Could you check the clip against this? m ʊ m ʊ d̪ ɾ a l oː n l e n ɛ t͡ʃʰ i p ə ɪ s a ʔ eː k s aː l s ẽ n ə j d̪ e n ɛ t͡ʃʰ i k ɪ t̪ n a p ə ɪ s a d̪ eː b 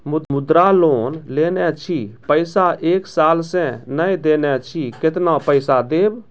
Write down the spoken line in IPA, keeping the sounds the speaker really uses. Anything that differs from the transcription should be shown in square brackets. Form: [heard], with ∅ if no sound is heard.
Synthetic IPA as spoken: m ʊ m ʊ d̪ ɾ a l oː n l e n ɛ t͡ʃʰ i p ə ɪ s a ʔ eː k s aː l s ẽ n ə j d̪ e n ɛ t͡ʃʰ i k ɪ t̪ n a p ə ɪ s a d̪ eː b